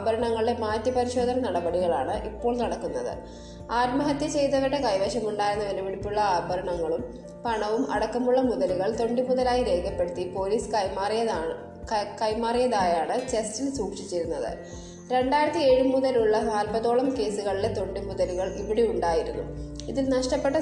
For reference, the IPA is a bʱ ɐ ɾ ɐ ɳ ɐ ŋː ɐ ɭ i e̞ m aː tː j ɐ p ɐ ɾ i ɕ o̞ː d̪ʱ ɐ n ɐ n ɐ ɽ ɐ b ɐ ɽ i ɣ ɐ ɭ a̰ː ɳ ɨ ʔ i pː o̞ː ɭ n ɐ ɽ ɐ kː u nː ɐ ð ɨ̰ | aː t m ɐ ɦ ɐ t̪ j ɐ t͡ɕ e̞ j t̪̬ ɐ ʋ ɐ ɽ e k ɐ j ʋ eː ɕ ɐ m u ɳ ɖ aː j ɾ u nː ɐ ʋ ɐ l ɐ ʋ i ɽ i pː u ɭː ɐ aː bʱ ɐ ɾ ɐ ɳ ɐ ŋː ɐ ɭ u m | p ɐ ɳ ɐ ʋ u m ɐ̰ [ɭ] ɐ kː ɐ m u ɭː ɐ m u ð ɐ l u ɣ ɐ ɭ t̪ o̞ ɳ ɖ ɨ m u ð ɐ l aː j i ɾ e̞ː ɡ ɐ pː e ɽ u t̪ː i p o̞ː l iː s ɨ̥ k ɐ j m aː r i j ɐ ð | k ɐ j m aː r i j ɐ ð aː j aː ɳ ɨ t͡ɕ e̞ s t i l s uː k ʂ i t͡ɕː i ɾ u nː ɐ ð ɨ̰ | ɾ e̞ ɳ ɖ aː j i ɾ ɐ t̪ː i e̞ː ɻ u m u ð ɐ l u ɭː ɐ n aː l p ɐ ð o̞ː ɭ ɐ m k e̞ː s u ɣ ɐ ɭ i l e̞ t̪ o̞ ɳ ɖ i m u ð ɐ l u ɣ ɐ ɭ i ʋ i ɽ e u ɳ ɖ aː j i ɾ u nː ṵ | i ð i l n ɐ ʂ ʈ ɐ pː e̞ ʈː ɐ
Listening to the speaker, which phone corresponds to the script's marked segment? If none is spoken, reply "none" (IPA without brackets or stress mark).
ɽ